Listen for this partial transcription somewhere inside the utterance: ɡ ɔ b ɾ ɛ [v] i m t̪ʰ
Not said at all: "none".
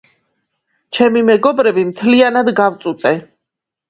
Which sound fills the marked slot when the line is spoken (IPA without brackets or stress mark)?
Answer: b